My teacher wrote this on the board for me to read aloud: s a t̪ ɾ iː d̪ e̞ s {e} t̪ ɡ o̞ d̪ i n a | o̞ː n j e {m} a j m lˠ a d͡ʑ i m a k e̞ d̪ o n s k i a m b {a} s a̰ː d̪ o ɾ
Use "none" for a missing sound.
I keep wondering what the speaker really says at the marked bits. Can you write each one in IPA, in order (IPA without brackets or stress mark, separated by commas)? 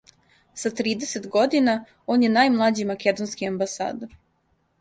e, n, a